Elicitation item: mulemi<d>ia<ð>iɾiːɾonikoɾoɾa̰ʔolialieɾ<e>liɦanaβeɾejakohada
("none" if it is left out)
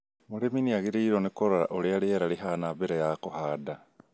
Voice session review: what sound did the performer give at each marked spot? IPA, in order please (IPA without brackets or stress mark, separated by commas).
n, ɣ, a